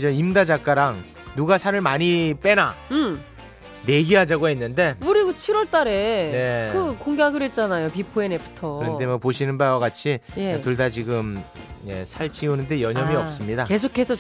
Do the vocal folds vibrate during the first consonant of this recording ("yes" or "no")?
yes